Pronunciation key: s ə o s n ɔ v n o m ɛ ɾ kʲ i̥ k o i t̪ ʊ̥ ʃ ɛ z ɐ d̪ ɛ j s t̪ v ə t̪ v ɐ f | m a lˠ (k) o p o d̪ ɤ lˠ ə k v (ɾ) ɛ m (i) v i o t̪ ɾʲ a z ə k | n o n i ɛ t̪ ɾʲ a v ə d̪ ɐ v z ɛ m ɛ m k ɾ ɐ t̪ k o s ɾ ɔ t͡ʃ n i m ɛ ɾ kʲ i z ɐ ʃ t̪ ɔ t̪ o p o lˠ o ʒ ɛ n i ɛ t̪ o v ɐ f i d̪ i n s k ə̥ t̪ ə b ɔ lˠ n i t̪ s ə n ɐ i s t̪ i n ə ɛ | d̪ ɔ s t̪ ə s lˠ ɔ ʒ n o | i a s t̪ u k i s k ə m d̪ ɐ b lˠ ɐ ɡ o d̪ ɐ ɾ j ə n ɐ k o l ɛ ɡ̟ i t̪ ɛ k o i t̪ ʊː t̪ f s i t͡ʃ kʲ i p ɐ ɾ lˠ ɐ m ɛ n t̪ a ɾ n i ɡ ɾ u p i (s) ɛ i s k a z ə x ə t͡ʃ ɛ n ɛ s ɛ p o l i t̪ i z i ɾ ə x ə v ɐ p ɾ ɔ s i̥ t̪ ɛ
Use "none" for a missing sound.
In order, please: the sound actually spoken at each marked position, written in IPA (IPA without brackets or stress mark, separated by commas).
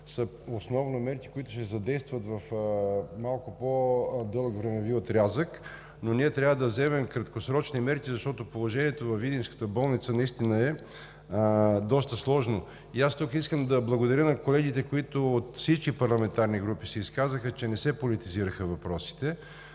k, ɾ, ɛ, s